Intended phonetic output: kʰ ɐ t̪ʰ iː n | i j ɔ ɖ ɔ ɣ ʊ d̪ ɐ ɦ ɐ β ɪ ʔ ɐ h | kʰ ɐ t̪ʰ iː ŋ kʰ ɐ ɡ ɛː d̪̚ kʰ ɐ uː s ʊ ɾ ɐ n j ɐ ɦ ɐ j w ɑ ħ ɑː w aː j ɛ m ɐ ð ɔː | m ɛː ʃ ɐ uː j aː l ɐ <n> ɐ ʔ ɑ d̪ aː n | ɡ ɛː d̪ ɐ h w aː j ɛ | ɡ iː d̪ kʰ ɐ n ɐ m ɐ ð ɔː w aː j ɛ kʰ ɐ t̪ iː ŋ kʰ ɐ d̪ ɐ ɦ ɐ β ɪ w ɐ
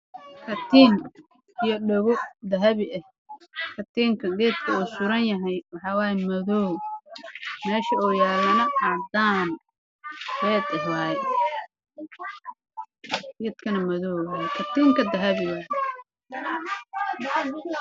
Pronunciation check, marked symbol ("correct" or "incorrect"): correct